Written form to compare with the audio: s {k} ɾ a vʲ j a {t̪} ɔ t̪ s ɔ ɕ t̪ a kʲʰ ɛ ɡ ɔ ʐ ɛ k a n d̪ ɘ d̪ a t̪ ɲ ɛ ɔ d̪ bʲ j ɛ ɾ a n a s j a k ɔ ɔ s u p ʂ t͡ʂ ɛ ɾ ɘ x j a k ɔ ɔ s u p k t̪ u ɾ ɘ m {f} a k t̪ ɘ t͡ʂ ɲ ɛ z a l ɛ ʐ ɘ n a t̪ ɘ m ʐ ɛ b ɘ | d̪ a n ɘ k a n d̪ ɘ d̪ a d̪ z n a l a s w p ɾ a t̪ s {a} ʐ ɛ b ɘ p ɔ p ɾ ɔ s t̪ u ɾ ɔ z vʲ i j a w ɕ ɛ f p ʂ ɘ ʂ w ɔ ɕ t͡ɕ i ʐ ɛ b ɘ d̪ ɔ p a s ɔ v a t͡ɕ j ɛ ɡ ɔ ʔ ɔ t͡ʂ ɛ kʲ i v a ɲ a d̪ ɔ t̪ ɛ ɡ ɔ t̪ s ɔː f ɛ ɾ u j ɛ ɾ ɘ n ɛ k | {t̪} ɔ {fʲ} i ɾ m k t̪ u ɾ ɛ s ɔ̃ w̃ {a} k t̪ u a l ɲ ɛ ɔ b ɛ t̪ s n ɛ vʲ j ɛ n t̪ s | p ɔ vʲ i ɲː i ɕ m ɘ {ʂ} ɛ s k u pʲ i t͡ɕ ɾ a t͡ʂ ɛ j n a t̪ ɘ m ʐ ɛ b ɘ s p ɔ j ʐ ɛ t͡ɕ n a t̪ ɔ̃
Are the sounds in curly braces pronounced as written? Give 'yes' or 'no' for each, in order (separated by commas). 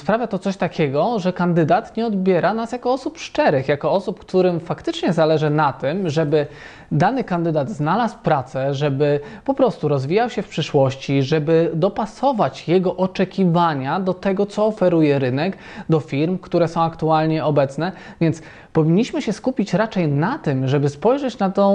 no, yes, yes, no, no, yes, yes, no